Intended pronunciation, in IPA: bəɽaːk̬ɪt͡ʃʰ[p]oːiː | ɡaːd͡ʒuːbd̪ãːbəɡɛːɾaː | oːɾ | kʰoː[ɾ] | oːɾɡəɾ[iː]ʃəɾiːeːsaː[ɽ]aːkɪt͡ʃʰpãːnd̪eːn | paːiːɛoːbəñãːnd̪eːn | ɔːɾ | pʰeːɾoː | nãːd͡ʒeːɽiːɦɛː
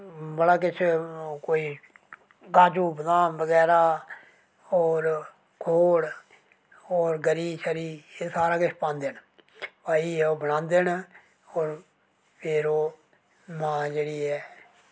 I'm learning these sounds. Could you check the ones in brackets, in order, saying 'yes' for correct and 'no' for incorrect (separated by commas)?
no, no, yes, no